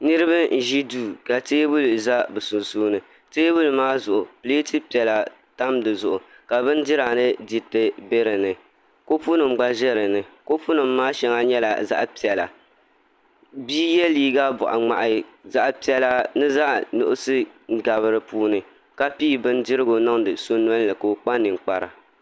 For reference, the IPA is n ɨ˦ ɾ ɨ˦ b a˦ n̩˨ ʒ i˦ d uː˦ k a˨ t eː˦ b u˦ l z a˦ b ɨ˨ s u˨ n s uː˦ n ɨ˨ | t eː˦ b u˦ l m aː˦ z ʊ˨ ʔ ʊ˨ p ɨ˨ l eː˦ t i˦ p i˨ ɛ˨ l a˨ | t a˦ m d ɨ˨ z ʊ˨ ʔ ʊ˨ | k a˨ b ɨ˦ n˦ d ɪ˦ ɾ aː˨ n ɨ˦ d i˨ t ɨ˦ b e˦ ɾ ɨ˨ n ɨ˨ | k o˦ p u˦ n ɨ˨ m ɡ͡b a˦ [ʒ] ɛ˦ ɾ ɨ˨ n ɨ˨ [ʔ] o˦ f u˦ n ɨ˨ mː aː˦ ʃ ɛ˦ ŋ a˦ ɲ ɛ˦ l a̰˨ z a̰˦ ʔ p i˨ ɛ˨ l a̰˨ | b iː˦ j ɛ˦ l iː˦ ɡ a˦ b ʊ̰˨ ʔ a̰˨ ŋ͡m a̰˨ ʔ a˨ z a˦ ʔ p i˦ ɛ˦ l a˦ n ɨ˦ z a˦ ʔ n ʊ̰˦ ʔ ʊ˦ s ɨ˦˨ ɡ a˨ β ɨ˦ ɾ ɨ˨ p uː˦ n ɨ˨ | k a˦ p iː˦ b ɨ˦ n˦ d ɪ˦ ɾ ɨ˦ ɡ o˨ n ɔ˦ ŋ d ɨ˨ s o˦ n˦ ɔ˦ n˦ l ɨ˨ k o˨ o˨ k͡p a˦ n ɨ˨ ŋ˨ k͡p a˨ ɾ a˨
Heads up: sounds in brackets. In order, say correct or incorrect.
correct, incorrect: k

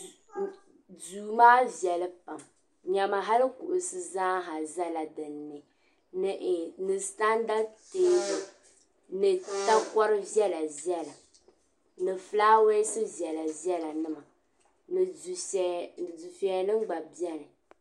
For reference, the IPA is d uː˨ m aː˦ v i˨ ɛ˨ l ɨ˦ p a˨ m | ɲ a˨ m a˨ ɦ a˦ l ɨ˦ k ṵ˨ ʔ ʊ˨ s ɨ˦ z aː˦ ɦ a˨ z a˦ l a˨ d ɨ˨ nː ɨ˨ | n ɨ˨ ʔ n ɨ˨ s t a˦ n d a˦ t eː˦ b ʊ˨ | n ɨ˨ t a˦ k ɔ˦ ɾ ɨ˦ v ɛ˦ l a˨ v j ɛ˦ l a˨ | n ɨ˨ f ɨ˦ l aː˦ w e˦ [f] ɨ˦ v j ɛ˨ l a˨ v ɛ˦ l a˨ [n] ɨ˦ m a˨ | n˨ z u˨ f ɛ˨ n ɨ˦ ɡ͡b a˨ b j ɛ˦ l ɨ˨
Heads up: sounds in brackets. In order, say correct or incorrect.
incorrect: s, correct

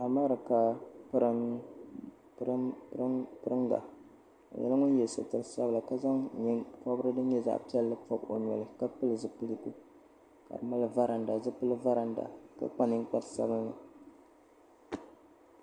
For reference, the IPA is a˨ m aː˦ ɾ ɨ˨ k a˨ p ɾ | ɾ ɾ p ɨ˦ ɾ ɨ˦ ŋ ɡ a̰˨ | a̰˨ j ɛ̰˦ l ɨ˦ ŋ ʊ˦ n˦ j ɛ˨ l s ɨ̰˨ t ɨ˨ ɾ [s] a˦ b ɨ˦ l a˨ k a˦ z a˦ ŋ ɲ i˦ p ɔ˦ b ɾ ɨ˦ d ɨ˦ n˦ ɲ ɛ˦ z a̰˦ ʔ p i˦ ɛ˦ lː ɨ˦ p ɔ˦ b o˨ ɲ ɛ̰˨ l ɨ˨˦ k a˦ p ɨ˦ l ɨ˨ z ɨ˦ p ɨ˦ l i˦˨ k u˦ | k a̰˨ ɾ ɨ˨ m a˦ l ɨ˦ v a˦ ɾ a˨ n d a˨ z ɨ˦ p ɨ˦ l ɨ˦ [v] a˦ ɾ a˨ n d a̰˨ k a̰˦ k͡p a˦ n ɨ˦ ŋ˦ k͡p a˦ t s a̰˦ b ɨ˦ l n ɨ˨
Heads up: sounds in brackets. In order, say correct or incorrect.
correct, correct

